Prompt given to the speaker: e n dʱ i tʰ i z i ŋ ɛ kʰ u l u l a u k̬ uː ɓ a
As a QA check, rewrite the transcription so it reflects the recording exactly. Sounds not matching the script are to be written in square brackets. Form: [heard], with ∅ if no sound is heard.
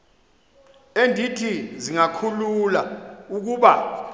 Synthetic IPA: e n dʱ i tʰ i z i ŋ [a] kʰ u l u l a u k̬ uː ɓ a

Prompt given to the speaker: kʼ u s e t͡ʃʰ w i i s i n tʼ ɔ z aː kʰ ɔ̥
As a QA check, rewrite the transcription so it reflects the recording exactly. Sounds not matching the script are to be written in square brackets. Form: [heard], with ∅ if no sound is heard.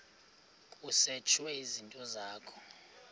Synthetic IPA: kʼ u s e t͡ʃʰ w [ɛ] i [z] i n tʼ ɔ z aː kʰ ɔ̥

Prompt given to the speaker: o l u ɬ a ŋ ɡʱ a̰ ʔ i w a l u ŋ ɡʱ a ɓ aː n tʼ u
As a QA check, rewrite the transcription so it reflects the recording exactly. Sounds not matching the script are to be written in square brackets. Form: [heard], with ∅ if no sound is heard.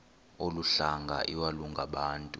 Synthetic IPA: o l u ɬ a ŋ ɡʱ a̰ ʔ i w a l u ŋ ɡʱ a ɓ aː n tʼ u

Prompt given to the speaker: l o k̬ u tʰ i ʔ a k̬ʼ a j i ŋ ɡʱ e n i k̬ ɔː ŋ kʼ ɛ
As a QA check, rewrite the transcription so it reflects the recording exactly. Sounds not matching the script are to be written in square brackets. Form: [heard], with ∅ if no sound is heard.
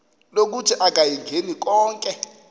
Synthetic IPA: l o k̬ u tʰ i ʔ a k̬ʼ a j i ŋ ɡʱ e n i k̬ ɔː ŋ kʼ ɛ

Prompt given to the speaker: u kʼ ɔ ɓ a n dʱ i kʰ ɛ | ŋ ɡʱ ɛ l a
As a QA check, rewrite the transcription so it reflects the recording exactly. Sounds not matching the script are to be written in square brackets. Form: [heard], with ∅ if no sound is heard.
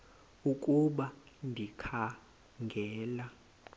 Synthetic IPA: u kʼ [u] ɓ a n dʱ i kʰ [a] | ŋ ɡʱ [ɛː] l a

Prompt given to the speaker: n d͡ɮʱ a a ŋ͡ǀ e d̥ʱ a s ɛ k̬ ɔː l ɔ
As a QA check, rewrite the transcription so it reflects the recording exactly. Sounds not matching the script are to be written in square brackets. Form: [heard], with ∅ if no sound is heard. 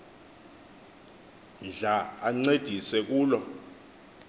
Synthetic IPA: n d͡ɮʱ a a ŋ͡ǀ e d̥ʱ [i] s ɛ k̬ [uː] l ɔ

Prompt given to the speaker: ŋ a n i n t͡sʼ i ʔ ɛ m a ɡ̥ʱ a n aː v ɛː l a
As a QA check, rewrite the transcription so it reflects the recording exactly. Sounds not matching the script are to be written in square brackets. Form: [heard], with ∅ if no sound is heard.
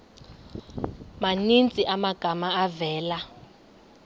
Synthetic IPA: [m] a n i n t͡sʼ i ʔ [a] m a ɡ̥ʱ a [m] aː v ɛː l a

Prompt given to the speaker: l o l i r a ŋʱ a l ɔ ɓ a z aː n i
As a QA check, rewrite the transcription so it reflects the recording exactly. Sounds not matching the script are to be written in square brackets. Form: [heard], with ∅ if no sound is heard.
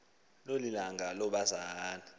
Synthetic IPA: l o l i [l] a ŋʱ a l ɔ ɓ a z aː n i

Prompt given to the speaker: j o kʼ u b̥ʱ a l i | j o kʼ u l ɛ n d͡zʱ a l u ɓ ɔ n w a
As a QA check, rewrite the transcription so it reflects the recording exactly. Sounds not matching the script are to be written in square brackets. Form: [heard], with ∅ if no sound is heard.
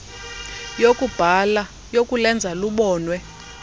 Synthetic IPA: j o kʼ u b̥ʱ a l [a] | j o kʼ u l ɛ n d͡zʱ a l u ɓ [ɔː] n w [ɛ]

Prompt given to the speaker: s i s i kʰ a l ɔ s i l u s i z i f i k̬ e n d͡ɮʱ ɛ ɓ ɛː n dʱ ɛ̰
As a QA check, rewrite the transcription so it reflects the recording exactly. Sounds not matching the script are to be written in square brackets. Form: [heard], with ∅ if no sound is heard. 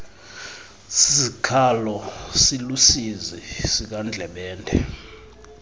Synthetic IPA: s i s i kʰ a l ɔ s i l u s i z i [s] i k̬ [a] n d͡ɮʱ ɛ ɓ ɛː n dʱ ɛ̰

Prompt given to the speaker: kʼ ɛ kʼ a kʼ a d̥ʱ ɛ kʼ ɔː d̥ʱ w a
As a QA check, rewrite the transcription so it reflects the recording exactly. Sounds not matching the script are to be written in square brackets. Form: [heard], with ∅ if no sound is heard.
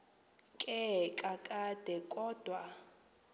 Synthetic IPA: kʼ ɛ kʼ a kʼ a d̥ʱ ɛ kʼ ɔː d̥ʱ w a

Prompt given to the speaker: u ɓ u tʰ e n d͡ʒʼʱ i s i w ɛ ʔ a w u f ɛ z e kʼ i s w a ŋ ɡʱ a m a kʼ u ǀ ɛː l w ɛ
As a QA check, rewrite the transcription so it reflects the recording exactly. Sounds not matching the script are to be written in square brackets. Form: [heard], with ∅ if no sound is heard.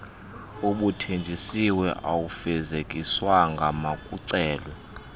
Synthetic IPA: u ɓ u tʰ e n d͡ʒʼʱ i s i w ɛ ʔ a w u f ɛ z e kʼ i s w a ŋ ɡʱ a m a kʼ u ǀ ɛː l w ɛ

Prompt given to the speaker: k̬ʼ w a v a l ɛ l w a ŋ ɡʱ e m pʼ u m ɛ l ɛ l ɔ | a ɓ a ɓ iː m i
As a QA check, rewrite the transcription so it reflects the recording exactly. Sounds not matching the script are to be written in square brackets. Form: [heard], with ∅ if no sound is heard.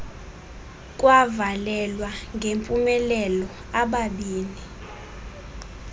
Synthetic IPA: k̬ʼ w a v a l ɛ l w a ŋ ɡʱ e m pʼ u m ɛ l ɛ l ɔ | a ɓ a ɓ iː [n] i

